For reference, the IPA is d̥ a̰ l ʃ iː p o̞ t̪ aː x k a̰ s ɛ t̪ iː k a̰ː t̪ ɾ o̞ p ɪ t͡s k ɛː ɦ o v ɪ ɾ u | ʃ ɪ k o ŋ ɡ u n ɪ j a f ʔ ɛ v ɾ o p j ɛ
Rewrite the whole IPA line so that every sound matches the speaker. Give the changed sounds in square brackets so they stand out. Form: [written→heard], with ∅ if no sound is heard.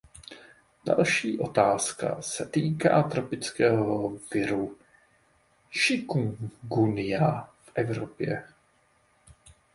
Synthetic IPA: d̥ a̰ l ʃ iː [p→ʔ] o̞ t̪ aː [x→s] k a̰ s ɛ t̪ iː k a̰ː t̪ ɾ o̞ p ɪ t͡s k ɛː ɦ o v ɪ ɾ u | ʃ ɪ k [o→u] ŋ ɡ u n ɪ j a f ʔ ɛ v ɾ o p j ɛ